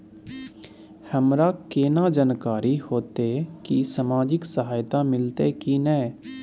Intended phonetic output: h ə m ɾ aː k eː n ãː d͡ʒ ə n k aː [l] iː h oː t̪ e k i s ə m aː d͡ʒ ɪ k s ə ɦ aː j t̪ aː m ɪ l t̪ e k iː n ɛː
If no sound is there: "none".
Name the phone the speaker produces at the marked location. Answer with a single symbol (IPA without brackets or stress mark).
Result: ɾ